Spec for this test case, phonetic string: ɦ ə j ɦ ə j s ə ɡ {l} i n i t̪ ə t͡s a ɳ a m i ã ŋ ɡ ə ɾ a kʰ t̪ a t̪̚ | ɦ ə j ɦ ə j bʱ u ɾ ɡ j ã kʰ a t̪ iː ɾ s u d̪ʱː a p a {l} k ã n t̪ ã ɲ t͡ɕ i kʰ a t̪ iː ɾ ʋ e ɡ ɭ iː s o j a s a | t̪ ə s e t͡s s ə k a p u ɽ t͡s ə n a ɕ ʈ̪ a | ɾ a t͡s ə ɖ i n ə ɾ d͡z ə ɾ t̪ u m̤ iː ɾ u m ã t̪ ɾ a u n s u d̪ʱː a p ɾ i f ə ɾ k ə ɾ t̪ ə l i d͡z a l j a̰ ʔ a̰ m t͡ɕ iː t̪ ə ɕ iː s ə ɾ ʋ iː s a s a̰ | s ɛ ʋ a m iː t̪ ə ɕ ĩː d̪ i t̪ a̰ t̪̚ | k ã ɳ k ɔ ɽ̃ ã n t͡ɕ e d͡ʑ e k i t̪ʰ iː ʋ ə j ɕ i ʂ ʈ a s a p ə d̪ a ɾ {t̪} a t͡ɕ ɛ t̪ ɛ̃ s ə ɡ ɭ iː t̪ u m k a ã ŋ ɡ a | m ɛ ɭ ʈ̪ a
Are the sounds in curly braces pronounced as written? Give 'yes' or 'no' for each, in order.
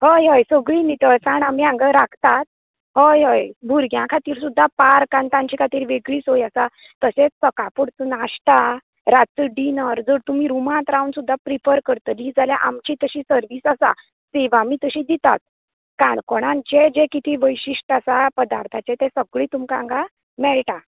no, no, no

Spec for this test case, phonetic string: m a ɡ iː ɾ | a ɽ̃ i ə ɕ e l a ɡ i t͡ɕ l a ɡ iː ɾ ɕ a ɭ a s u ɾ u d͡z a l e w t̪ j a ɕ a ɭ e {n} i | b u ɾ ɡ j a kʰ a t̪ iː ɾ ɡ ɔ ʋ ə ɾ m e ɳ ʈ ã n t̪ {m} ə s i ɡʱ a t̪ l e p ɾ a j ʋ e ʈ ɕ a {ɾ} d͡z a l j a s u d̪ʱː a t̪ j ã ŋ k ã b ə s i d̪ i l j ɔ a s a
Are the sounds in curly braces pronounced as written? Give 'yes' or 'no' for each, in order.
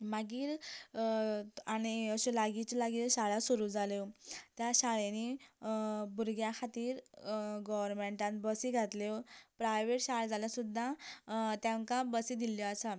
yes, no, no

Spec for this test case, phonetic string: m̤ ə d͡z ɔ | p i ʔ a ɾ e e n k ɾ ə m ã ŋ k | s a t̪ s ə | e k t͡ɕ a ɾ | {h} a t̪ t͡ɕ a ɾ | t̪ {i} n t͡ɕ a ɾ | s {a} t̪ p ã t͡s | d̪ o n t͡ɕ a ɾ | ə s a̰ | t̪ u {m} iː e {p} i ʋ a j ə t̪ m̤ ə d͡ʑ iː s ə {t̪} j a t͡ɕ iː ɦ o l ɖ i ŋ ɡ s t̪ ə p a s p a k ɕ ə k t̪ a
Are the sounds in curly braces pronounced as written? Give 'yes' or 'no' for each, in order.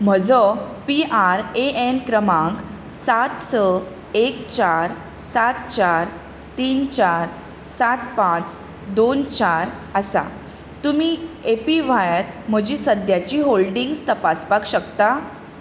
no, no, yes, yes, yes, no

